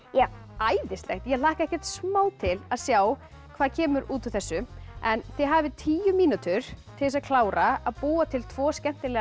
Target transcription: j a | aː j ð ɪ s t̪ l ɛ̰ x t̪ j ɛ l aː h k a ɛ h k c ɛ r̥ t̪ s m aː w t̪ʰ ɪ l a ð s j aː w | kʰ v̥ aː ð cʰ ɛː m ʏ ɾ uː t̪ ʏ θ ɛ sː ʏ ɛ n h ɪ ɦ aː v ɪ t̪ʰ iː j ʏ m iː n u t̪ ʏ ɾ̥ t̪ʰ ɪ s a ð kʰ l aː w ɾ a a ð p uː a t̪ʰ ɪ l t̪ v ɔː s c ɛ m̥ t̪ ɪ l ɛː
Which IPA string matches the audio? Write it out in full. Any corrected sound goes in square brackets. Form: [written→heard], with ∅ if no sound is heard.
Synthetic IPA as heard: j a | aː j ð ɪ s t̪ l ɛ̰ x t̪ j ɛ l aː h k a ɛ h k c ɛ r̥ t̪ s m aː w t̪ʰ ɪ l a ð s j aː w | kʰ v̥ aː ð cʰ ɛː m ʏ ɾ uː t̪ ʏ θ ɛ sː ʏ ɛ n [h→θ] ɪ ɦ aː v ɪ t̪ʰ iː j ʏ m iː n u t̪ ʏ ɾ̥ t̪ʰ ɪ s a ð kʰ l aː w ɾ a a ð p uː a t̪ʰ ɪ l [t̪→t̪ʰ] v ɔː s c ɛ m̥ t̪ ɪ l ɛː